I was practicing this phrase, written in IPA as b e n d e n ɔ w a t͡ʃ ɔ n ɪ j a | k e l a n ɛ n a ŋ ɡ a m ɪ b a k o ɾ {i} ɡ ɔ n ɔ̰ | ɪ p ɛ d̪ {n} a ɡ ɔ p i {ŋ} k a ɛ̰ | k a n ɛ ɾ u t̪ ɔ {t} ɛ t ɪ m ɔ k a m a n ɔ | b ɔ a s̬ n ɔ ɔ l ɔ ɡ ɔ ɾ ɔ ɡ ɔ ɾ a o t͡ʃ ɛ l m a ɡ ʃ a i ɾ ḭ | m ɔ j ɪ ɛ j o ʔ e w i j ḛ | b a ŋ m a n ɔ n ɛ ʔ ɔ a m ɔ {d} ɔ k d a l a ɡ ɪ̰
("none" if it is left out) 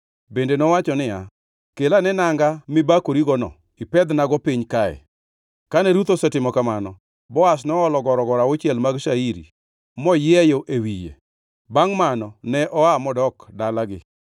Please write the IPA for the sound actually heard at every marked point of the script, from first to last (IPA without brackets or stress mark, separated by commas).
i, n, ɲ, s, d